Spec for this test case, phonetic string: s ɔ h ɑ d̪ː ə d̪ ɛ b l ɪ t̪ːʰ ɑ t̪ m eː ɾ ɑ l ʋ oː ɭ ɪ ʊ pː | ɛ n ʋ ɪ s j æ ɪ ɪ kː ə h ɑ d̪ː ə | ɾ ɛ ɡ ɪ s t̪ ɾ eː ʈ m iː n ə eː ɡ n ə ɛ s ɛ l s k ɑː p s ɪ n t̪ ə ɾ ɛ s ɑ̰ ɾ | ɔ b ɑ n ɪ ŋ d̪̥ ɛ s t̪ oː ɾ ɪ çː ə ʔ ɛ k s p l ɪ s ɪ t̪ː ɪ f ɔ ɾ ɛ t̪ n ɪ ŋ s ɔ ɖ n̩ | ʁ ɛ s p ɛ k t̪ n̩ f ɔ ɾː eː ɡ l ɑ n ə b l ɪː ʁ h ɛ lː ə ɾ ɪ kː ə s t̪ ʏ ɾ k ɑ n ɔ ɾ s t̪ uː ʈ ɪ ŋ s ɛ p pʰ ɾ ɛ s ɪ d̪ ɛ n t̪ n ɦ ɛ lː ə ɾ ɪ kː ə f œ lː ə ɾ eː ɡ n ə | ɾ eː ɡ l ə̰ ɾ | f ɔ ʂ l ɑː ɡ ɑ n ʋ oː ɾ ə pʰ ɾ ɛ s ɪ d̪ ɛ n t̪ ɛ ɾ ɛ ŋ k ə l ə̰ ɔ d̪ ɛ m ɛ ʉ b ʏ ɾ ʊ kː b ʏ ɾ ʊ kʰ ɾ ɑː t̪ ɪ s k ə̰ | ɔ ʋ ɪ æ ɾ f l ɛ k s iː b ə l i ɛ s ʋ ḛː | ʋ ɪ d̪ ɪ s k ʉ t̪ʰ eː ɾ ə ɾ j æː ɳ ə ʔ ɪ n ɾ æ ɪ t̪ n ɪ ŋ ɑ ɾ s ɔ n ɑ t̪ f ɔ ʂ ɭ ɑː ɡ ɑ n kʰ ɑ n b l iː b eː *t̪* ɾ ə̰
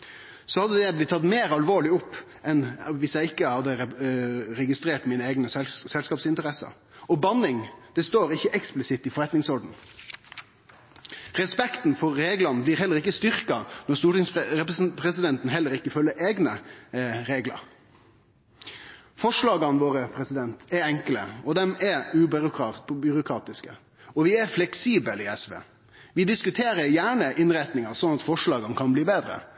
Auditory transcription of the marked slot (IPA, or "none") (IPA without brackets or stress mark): d̪